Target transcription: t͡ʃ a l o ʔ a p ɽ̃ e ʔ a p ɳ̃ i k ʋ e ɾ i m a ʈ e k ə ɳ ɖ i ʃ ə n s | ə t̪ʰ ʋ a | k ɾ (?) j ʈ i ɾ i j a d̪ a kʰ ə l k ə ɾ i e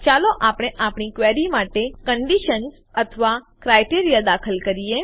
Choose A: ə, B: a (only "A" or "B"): B